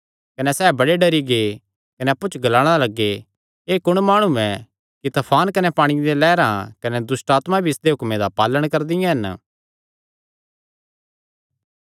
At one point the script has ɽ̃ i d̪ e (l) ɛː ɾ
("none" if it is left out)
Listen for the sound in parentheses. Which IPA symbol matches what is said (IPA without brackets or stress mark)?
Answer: l